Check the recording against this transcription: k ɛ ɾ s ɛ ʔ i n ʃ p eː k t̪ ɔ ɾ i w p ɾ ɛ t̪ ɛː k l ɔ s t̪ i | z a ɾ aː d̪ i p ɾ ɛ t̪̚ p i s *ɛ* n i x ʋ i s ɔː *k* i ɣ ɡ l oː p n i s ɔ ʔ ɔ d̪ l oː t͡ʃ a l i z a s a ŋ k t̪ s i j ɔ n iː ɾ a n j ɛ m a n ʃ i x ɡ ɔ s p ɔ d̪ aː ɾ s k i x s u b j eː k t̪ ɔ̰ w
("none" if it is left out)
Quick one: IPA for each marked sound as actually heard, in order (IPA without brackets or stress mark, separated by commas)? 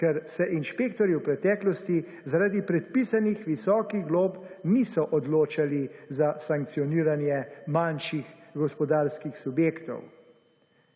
a, k